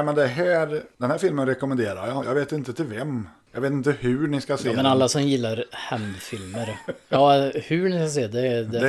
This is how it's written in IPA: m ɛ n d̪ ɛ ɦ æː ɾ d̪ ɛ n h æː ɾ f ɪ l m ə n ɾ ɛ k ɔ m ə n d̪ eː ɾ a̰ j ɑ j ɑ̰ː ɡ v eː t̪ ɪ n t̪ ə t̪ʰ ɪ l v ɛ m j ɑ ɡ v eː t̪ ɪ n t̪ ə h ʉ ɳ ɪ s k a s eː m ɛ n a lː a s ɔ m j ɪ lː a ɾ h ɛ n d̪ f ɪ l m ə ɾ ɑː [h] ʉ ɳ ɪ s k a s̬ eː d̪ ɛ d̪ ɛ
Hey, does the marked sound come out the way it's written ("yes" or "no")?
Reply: yes